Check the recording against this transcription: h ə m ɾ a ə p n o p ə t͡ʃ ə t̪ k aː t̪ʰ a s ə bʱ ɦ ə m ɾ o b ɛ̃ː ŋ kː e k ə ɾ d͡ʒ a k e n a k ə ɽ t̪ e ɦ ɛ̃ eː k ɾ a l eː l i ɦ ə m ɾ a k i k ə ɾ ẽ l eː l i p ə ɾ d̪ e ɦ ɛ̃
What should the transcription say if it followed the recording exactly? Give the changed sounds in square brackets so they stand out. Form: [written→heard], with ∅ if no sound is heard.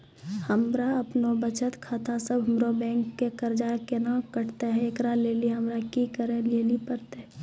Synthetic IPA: h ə m ɾ a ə p n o [p→b] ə t͡ʃ ə t̪ [k→kʰ] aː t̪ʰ a s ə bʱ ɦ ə m ɾ o b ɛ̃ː ŋ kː e k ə ɾ d͡ʒ a k e n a k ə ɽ t̪ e ɦ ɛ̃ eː k ɾ a l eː l i ɦ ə m ɾ a k i k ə ɾ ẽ l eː l i p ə ɾ [d̪→t̪] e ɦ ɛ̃